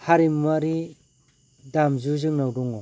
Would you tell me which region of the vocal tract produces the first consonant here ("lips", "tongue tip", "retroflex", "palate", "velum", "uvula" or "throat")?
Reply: throat